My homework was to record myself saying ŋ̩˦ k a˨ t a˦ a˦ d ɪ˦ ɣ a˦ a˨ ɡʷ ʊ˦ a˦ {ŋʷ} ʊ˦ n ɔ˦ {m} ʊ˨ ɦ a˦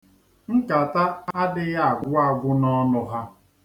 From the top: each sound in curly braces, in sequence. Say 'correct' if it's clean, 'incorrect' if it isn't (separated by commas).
incorrect, incorrect